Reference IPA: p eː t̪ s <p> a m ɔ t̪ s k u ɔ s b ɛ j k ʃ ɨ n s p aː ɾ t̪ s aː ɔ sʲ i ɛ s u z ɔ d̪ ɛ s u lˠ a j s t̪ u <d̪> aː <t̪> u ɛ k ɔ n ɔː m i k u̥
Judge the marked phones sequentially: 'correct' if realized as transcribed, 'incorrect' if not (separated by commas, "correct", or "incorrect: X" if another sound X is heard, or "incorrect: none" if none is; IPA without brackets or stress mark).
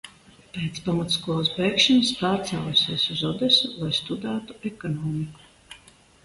correct, correct, correct